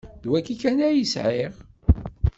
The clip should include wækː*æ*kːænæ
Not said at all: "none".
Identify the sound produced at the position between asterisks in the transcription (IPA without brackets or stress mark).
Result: i